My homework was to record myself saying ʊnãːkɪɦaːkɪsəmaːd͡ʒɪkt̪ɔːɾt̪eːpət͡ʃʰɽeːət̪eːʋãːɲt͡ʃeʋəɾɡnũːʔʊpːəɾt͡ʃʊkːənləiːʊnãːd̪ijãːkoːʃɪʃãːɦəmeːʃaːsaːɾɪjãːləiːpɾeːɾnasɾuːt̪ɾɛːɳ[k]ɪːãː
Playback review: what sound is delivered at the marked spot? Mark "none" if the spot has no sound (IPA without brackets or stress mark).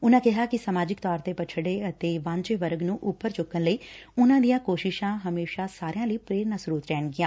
ɡ